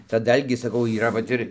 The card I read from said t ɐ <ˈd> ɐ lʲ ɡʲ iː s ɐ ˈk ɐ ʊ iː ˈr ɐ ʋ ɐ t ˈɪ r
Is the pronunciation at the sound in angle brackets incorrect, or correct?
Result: correct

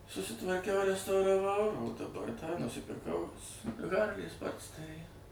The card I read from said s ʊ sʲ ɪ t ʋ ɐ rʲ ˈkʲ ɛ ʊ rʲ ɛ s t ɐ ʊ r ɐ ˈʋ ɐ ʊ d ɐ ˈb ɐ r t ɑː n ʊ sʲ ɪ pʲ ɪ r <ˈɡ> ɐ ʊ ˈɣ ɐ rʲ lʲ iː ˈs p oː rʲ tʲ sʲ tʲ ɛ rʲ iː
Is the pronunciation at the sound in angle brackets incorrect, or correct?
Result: incorrect: k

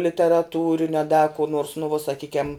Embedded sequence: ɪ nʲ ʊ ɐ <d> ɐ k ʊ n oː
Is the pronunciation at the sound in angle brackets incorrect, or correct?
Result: correct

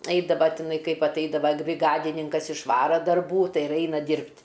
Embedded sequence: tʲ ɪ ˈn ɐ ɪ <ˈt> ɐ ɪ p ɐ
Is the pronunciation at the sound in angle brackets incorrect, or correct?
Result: incorrect: k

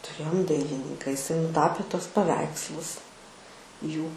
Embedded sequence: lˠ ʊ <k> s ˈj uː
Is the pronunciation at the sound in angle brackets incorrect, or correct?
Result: incorrect: none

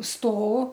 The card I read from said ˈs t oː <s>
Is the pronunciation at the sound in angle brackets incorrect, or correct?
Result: incorrect: none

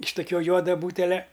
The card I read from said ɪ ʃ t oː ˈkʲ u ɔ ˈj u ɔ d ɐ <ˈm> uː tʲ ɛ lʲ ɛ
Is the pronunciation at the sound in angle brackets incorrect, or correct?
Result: incorrect: b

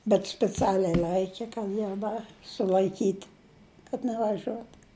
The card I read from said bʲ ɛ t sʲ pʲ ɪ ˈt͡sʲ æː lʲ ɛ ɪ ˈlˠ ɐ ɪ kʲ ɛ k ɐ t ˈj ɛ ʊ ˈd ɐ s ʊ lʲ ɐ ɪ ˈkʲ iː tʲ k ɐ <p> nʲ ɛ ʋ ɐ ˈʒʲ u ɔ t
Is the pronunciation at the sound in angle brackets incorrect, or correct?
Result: incorrect: t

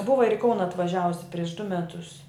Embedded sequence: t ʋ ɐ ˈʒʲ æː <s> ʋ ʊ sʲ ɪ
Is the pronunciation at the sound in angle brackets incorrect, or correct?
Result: incorrect: none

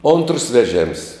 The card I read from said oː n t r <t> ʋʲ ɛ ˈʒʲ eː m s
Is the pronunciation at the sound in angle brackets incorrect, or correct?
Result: incorrect: s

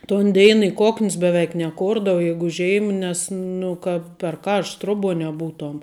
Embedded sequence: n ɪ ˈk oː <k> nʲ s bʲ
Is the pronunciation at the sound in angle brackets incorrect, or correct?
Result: correct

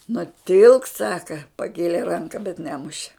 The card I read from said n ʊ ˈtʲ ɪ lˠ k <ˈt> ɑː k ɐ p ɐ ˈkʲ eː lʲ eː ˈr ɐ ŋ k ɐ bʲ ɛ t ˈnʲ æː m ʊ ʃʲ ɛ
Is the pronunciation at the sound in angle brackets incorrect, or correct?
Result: incorrect: s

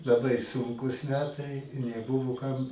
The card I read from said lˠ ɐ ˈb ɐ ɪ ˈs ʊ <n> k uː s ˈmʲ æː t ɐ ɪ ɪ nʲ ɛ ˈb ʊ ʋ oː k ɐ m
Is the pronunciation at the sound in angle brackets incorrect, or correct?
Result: incorrect: ŋ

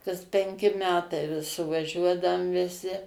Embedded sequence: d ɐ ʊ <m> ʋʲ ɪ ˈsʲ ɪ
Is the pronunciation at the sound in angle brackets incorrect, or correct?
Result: correct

